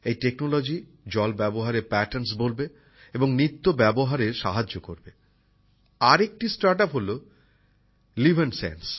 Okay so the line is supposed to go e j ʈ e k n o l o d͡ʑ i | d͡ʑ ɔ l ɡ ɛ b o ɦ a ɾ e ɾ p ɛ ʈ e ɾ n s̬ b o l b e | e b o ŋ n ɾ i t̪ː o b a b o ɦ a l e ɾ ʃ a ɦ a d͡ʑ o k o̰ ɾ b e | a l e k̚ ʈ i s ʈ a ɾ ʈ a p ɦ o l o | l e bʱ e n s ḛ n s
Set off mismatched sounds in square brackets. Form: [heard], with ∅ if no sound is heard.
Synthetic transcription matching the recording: e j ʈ e k n o l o d͡ʑ i | d͡ʑ ɔ l [b] ɛ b o ɦ a ɾ e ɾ p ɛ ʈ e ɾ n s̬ b o l b e | e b o ŋ n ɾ i t̪ː o b [ɛ] b o ɦ a [ɾ] e ɾ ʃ a ɦ a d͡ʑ o k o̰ ɾ b e | a [ɾ] e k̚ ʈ i s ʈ a ɾ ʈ a p ɦ o l o | l [i] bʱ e n s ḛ n s

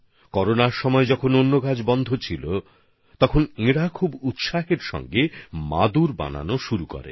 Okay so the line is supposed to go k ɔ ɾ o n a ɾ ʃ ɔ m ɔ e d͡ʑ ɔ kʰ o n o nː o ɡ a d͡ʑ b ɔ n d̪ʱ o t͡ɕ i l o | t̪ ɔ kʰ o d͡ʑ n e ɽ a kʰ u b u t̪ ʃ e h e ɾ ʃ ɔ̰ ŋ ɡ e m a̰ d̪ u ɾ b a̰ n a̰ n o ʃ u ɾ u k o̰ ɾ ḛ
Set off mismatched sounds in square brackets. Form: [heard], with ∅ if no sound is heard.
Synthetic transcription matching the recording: k ɔ ɾ o n a ɾ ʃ ɔ m ɔ e d͡ʑ ɔ kʰ o n o nː o ɡ a d͡ʑ b ɔ n d̪ʱ o [t͡ɕʰ] i l o | t̪ ɔ kʰ o [∅] n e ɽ a kʰ u b u t̪ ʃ [a] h e ɾ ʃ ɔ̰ ŋ ɡ e m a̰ d̪ u ɾ b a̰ n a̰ n o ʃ u ɾ u k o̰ ɾ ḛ

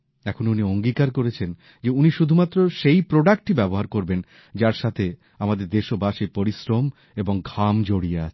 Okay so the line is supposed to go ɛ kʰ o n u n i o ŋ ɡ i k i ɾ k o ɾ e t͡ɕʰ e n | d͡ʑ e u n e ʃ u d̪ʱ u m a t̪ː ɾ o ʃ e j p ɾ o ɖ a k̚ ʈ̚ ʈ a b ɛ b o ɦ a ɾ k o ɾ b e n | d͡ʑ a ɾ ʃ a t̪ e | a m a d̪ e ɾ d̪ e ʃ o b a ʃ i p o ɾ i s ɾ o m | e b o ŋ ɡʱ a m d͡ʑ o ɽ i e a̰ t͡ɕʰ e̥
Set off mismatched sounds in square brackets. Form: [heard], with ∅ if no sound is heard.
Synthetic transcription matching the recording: ɛ kʰ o n u n i o ŋ ɡ i k [a] ɾ k o ɾ e t͡ɕʰ e n | d͡ʑ e u n [i] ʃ u d̪ʱ u m a t̪ː ɾ o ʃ e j p ɾ o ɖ a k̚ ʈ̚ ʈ [i] b ɛ b o ɦ a ɾ k o ɾ b e n | d͡ʑ a ɾ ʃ a [t̪ʰ] e | a m a d̪ e ɾ d̪ e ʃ o b a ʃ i p o ɾ i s ɾ o m | e b o ŋ ɡʱ a m d͡ʑ o ɽ i e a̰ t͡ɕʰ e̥

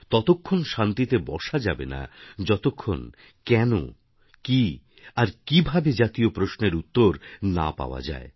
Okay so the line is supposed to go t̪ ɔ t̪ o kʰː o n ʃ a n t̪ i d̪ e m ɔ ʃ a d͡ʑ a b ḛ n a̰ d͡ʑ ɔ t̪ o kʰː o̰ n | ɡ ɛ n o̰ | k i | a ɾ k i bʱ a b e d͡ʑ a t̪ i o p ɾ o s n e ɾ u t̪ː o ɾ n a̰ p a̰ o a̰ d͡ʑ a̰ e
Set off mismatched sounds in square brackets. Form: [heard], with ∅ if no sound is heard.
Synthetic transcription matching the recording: t̪ ɔ t̪ o kʰː o n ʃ a n t̪ i [t̪] e [b] ɔ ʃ a d͡ʑ a b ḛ n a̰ d͡ʑ ɔ t̪ o kʰː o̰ n | [k] ɛ n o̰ | k i | a ɾ k i bʱ a b e d͡ʑ a t̪ i o p ɾ o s n e ɾ u t̪ː o ɾ n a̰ p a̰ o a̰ d͡ʑ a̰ e

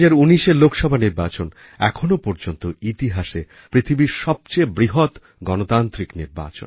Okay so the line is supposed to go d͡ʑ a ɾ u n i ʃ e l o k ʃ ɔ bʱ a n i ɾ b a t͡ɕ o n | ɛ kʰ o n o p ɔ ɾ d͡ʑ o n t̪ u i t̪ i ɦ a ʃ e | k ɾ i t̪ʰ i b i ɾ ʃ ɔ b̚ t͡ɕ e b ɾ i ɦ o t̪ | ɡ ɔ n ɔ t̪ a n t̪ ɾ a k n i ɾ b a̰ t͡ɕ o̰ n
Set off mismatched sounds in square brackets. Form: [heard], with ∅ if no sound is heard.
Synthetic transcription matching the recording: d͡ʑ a ɾ u n i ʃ e l o k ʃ ɔ bʱ a n i ɾ b a t͡ɕ o n | ɛ kʰ o n o p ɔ ɾ d͡ʑ o n t̪ [o] i t̪ i ɦ a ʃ e | [p] ɾ i t̪ʰ i b i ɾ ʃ ɔ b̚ t͡ɕ e b ɾ i ɦ o t̪ | ɡ ɔ n [o] t̪ a n t̪ ɾ [i] k n i ɾ b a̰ t͡ɕ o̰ n

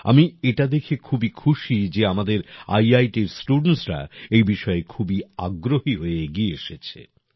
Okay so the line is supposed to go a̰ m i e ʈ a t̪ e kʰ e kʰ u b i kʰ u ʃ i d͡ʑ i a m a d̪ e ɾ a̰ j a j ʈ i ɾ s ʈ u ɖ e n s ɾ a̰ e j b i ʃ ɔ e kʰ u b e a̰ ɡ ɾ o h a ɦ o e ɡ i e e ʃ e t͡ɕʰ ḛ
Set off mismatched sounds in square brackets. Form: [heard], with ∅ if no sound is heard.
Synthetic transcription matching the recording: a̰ m i e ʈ a [d̪] e kʰ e kʰ u b i kʰ u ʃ i d͡ʑ [e] a m a d̪ e ɾ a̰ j a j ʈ i ɾ s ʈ u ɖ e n s ɾ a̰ e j b i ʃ ɔ e kʰ u b [i] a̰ ɡ ɾ o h [i] ɦ o e ɡ i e e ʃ e t͡ɕʰ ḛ

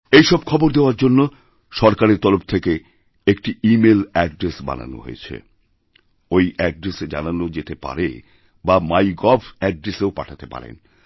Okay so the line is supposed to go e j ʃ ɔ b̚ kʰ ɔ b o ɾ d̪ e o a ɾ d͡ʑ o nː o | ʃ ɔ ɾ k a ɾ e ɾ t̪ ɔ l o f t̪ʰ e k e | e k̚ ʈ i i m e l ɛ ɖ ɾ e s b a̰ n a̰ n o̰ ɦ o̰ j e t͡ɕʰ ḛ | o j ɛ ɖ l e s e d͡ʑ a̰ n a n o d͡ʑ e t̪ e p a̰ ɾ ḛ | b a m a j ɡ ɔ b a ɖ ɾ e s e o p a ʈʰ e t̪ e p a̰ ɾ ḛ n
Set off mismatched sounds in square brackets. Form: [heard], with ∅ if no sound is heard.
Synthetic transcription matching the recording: e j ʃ ɔ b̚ kʰ ɔ b o ɾ d̪ e o a ɾ d͡ʑ o nː o | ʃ ɔ ɾ k a ɾ e ɾ t̪ ɔ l o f t̪ʰ e k e | e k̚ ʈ i i m e l ɛ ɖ ɾ e s b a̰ n a̰ n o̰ ɦ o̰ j e t͡ɕʰ ḛ | o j ɛ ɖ [ɾ] e s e d͡ʑ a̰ n a n o d͡ʑ e t̪ e p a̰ ɾ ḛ | b a m a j ɡ ɔ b [ɛ] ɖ ɾ e s e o p a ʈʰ [a] t̪ e p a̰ ɾ ḛ n

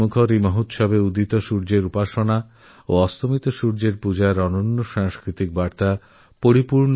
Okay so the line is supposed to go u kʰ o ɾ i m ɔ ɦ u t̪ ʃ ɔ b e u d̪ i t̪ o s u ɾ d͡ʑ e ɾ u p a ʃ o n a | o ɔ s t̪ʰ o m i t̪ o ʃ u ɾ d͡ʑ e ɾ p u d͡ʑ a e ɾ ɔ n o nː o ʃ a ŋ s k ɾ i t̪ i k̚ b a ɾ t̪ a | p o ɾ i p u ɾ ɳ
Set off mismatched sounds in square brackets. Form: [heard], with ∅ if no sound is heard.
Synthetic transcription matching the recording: u kʰ o ɾ i m ɔ ɦ u t̪ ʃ ɔ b e u d̪ i t̪ o [ʃ] u ɾ d͡ʑ e ɾ u p a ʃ o n a | o ɔ s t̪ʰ o m i t̪ o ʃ u ɾ d͡ʑ e ɾ p u d͡ʑ a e ɾ ɔ n o nː o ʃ a ŋ s k ɾ i t̪ i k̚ b a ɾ t̪ a | p o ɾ i p u ɾ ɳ

